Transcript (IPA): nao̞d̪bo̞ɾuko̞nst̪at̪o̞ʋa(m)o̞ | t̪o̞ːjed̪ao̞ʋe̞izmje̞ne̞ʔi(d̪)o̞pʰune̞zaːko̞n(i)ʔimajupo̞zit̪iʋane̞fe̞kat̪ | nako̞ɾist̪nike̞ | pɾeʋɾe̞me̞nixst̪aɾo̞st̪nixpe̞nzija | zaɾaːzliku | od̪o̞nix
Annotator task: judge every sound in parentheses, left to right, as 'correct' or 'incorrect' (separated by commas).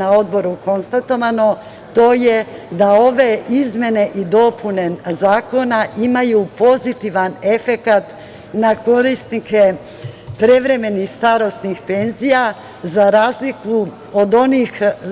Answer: incorrect, correct, incorrect